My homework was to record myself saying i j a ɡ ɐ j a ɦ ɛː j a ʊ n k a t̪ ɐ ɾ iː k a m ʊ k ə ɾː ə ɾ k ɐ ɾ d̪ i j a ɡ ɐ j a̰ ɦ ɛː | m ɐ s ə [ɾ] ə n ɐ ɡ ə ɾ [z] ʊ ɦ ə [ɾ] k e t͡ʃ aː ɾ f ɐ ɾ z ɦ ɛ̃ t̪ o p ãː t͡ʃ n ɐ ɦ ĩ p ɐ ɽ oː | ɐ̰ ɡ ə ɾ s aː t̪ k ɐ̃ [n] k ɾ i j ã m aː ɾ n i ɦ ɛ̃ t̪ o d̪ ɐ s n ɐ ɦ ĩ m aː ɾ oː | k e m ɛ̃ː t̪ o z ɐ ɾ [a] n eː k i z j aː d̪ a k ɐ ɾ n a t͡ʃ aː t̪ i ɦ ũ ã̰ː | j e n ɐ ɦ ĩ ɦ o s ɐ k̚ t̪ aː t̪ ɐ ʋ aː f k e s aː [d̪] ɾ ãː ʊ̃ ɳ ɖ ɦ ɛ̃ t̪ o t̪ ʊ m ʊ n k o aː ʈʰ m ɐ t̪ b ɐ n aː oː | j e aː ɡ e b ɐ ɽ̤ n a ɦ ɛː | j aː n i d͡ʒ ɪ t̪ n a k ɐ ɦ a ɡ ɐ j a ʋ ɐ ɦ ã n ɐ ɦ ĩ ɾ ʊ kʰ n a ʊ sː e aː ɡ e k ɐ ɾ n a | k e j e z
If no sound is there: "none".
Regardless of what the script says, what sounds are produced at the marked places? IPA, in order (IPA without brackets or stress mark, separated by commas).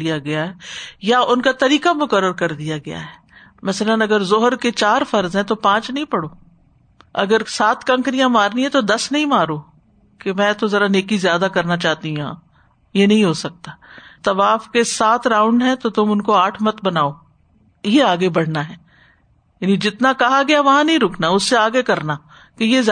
l, z, ɾ, ŋ, a, t̪